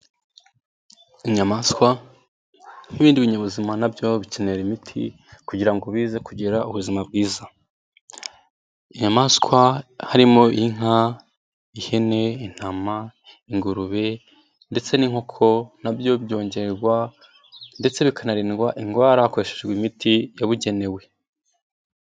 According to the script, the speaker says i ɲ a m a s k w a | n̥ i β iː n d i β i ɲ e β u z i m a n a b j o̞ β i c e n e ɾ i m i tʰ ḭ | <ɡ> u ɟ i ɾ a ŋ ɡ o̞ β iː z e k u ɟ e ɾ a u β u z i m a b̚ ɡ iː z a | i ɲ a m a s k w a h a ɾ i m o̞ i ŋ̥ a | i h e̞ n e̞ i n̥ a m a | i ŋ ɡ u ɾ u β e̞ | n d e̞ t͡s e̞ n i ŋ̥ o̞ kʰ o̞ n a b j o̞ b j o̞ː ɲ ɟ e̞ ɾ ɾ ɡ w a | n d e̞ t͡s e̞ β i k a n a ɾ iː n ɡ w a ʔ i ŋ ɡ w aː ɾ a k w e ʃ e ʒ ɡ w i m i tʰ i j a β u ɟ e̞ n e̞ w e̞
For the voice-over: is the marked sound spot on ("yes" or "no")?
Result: no